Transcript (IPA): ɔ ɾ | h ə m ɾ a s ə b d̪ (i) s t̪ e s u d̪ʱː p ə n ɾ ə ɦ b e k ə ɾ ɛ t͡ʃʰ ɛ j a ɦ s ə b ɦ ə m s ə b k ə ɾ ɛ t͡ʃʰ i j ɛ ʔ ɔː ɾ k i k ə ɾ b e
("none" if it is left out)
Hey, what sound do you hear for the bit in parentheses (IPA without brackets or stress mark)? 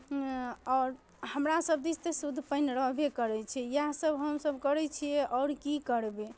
i